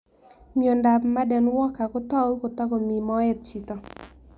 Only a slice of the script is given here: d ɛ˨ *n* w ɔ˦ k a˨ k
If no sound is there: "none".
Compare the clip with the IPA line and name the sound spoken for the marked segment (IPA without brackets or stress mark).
n